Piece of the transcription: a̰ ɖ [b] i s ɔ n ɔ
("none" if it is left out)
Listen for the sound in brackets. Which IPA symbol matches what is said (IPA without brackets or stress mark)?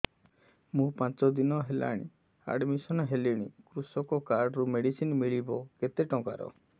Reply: m